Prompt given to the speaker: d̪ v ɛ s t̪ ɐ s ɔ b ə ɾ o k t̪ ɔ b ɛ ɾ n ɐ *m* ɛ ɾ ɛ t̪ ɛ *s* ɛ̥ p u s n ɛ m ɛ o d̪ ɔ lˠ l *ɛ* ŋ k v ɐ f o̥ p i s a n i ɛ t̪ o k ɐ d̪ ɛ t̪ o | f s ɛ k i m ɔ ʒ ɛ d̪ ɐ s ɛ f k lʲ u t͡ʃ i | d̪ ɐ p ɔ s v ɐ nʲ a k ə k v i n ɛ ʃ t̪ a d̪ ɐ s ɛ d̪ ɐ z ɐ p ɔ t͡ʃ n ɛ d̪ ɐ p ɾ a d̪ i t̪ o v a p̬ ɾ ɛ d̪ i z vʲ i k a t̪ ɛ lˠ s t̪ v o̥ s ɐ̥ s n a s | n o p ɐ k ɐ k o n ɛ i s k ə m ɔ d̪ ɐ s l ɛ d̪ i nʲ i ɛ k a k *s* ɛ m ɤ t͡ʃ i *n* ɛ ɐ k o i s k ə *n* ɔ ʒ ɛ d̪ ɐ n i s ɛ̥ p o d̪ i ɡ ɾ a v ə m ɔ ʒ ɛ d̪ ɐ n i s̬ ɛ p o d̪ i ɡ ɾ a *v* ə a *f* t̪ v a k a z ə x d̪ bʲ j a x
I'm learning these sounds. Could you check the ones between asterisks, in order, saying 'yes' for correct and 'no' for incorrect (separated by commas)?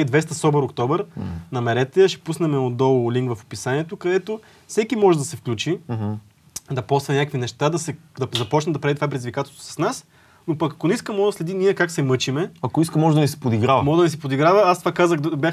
yes, no, no, yes, no, no, yes, no